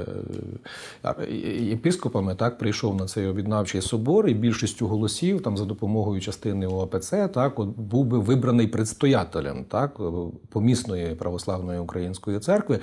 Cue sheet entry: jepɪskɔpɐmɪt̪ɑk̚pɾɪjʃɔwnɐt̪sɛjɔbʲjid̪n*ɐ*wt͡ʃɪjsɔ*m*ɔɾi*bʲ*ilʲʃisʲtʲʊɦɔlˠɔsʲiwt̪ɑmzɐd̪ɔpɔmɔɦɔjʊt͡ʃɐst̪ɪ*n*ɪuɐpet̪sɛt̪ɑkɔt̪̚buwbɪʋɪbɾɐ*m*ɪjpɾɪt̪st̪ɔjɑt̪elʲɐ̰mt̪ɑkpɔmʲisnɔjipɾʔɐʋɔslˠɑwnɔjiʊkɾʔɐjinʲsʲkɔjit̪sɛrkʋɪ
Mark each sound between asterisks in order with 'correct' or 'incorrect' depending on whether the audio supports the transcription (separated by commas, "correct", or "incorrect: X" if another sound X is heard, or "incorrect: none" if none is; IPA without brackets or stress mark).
incorrect: ɑ, incorrect: b, correct, correct, incorrect: n